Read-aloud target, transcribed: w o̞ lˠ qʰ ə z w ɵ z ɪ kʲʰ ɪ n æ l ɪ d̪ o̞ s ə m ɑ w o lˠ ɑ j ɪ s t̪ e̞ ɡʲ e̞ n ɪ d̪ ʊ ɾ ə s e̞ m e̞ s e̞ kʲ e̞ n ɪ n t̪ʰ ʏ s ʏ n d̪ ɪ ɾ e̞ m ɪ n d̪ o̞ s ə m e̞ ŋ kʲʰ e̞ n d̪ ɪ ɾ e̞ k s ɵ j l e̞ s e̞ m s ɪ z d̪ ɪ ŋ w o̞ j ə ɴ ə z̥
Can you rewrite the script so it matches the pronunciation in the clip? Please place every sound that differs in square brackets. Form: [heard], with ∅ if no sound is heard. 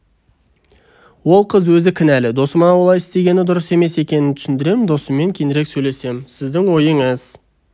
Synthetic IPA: w o̞ lˠ qʰ ə z w ɵ z ɪ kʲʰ ɪ n æ l ɪ d̪ o̞ s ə m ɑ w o lˠ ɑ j ɪ s t̪ e̞ ɡʲ e̞ n ɪ d̪ ʊ ɾ ə s e̞ m e̞ s e̞ kʲ e̞ n ɪ n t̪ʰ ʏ s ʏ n d̪ ɪ ɾ e̞ m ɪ n d̪ o̞ s ə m e̞ ŋ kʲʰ e̞ n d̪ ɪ ɾ e̞ k s ɵ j l e̞ s e̞ m s ɪ z d̪ ɪ ŋ w o̞ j ə ɴ ə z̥